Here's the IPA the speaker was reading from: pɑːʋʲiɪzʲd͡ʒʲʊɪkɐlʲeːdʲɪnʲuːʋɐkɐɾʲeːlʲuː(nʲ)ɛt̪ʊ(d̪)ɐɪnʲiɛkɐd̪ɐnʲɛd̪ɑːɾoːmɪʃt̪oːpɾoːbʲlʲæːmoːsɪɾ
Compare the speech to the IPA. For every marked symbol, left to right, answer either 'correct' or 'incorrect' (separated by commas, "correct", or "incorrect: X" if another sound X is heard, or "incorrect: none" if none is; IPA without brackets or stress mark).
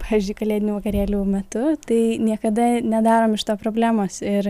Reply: incorrect: mʲ, incorrect: t̪